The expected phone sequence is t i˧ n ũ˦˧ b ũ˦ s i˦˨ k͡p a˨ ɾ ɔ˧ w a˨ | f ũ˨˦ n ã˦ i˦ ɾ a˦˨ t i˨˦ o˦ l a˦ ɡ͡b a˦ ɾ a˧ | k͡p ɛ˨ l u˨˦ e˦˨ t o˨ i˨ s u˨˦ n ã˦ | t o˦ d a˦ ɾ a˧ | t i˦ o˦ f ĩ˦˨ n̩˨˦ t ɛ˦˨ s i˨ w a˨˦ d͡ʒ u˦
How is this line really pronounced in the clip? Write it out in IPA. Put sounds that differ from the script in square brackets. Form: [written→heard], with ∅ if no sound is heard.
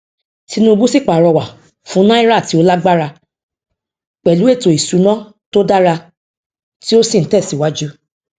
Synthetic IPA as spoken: t i˧ n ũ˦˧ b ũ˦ s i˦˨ k͡p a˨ ɾ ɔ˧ w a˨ | f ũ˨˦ n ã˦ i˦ ɾ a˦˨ t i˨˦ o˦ l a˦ ɡ͡b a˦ ɾ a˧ | k͡p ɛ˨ l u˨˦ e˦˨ t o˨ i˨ s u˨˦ n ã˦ | t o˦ d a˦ ɾ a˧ | t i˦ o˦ [f→s] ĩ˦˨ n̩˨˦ t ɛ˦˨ s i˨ w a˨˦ d͡ʒ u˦